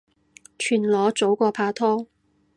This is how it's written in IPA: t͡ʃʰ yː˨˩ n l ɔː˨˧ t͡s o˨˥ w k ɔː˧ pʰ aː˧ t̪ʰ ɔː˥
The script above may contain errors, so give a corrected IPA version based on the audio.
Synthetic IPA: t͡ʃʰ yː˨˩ n l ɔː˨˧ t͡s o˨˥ w k ɔː˧ pʰ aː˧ t̪ʰ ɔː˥